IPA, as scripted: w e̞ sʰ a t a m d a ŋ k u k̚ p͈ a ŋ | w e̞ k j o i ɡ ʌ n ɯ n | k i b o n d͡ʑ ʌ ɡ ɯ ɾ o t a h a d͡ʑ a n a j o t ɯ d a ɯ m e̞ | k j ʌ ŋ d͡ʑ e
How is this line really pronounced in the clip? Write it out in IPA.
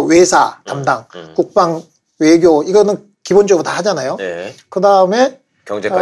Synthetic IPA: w e̞ sʰ a t a m d a ŋ k u k̚ p͈ a ŋ | w e̞ ɡ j o i ɡ ʌ n ɯ n | k i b o n d͡ʑ ʌ ɡ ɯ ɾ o t a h a d͡ʑ a n a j o k ɯ d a ɯ m e̞ | k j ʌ ŋ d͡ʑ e